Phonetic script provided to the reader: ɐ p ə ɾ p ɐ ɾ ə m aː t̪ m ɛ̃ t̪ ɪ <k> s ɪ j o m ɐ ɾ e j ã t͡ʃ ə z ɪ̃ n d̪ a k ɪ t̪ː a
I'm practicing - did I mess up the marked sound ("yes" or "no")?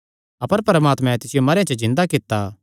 yes